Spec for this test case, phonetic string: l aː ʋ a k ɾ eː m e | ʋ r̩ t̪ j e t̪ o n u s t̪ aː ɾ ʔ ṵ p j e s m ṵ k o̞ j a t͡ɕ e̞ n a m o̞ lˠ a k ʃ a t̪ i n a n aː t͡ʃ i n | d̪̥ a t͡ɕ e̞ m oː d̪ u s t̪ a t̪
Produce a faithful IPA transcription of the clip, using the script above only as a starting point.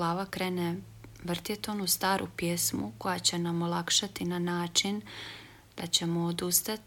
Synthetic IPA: l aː ʋ a k ɾ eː n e | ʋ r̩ t̪ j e t̪ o n u s t̪ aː ɾ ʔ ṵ p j e s m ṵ k o̞ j a t͡ɕ e̞ n a m o̞ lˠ a k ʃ a t̪ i n a n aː t͡ʃ i n | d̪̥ a t͡ɕ e̞ m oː d̪ u s t̪ a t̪